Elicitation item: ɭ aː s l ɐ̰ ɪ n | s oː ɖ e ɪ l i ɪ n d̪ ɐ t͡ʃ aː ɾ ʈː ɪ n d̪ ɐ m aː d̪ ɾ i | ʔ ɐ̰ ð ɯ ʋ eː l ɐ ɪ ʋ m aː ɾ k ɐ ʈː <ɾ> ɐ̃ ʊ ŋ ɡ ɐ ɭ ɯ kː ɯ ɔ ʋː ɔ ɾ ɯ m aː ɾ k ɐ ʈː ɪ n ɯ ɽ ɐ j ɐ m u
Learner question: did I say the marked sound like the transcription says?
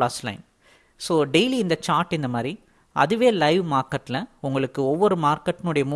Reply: no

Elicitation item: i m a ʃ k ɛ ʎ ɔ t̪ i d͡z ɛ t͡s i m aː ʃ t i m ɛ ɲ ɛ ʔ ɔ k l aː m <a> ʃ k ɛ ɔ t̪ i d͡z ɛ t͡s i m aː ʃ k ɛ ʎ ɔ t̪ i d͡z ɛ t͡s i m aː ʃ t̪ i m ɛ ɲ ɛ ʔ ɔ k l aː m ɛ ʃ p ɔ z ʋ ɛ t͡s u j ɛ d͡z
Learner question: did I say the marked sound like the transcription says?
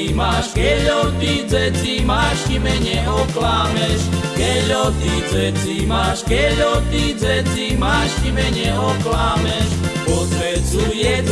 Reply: no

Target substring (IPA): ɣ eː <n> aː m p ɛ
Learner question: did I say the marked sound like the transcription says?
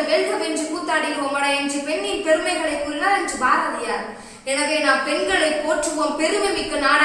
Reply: yes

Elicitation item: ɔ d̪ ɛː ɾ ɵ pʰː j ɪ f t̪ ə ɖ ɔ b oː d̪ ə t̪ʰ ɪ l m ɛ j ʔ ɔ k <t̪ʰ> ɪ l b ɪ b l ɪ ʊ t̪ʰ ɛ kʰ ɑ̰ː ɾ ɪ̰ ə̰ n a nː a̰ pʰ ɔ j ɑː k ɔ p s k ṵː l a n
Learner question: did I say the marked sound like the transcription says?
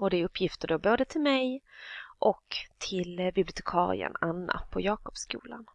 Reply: yes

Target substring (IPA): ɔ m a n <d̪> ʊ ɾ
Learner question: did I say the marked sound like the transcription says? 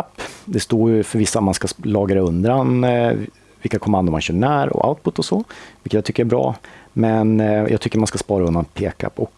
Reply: yes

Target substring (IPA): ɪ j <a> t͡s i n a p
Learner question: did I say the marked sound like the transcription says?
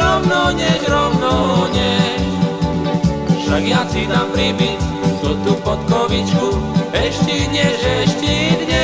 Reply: yes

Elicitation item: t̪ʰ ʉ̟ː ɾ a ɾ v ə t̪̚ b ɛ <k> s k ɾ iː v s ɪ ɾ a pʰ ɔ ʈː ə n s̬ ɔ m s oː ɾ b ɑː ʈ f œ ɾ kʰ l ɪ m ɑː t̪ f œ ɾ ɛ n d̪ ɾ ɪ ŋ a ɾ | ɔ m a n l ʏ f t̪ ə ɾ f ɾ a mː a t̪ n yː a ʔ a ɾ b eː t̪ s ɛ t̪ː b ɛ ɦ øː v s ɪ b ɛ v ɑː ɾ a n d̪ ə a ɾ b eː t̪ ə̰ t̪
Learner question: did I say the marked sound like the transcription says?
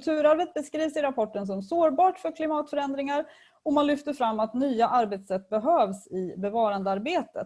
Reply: no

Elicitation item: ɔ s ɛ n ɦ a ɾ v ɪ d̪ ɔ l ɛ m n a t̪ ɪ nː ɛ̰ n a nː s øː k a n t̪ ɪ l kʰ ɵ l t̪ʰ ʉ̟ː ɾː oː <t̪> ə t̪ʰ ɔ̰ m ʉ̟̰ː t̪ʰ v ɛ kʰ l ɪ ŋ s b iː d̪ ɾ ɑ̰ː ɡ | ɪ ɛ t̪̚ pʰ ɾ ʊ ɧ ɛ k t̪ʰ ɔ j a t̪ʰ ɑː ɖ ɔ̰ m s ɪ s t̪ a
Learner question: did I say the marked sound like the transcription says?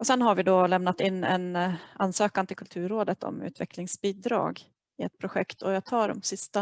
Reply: no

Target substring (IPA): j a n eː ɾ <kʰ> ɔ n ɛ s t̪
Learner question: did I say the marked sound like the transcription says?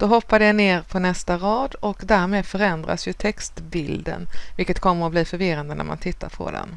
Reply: no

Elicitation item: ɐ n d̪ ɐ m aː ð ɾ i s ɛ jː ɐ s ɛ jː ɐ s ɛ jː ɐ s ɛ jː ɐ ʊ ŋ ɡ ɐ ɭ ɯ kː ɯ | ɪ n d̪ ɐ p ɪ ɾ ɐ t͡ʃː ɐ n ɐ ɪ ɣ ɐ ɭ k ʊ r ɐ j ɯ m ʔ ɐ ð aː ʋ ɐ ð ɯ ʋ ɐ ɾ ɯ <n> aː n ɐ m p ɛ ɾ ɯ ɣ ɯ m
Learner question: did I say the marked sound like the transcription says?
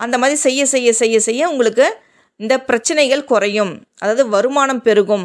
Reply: no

